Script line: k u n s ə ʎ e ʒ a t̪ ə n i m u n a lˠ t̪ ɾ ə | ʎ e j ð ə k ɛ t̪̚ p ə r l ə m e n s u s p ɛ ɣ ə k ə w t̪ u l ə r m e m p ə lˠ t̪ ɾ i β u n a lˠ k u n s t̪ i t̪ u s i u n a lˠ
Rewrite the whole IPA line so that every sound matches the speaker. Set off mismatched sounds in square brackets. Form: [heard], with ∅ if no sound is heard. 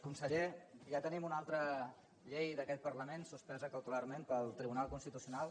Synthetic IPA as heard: k u n s ə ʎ e ʒ a t̪ ə n i m u n a lˠ t̪ ɾ ə | ʎ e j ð ə k ɛ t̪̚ p ə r l ə m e n s u s p ɛ [z] ə k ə w t̪ u l [a] r m e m p ə lˠ t̪ ɾ i β u n a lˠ k u n s t̪ i t̪ u s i u n a lˠ